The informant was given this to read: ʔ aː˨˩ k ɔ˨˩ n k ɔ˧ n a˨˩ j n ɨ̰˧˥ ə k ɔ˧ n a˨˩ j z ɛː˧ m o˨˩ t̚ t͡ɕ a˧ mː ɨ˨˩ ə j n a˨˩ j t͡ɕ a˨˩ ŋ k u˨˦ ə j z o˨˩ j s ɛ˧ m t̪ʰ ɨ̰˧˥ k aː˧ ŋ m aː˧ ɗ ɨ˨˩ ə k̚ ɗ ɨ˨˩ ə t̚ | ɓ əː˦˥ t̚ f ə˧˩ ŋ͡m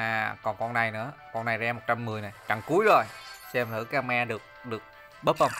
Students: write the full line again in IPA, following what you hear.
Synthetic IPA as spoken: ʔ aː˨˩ k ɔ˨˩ n k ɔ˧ n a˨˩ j n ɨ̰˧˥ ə k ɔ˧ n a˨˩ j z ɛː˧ m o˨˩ t̚ t͡ɕ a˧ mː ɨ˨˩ ə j n a˨˩ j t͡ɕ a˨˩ ŋ k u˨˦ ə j z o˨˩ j s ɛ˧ m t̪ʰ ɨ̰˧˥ k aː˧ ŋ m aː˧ ɗ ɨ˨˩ ə k̚ ɗ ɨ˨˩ ə k̚ | ɓ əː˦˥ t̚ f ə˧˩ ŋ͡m